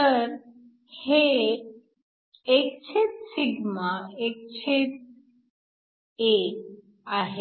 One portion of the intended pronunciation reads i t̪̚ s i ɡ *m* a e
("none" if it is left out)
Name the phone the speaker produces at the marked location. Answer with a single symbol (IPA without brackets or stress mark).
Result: m